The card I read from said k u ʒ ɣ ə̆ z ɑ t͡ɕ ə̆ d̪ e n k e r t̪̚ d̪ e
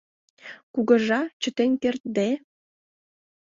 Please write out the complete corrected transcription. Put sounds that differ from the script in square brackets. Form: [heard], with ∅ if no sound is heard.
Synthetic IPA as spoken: k u [∅] ɣ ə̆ [ʒ] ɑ t͡ɕ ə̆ [t̪] e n k e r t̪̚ d̪ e